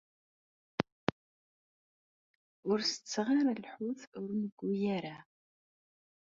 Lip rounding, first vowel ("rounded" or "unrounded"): rounded